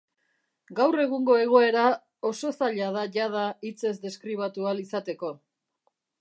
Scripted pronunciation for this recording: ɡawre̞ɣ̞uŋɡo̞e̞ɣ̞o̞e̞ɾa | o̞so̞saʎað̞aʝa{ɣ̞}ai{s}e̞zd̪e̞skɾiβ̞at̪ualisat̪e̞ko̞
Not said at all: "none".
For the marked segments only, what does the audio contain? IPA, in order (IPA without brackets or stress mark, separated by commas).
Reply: ð̞, t͡s